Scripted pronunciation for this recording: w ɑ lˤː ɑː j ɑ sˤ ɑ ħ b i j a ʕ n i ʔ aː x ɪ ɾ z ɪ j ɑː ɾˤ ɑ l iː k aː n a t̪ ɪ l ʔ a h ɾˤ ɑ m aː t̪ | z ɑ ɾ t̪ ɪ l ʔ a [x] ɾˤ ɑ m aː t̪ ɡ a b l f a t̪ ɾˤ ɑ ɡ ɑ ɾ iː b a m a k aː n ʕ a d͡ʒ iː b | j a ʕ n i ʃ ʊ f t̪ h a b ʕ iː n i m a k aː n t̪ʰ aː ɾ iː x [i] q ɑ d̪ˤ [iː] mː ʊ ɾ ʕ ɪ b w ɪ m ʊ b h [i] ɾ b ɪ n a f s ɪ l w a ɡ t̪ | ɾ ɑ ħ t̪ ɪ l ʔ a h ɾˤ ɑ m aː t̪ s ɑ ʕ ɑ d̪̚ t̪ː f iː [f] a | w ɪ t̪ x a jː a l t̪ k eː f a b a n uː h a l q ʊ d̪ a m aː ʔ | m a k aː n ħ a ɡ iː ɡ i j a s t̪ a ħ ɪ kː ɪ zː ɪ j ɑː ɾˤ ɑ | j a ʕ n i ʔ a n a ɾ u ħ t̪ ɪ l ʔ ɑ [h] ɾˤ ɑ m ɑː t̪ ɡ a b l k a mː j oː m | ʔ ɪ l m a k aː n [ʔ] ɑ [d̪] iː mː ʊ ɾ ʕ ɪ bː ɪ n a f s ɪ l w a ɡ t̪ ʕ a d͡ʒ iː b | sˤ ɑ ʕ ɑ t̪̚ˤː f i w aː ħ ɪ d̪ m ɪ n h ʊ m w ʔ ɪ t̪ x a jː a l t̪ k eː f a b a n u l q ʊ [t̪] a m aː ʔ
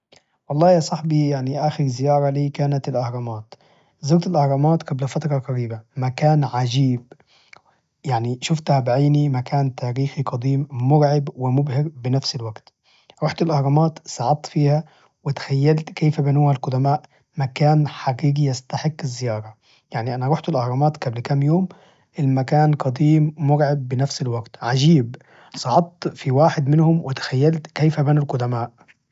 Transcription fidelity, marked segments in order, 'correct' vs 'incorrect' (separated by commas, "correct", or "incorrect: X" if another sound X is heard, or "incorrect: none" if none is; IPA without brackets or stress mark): incorrect: h, correct, correct, incorrect: ɪ, incorrect: h, correct, incorrect: q, correct, incorrect: d̪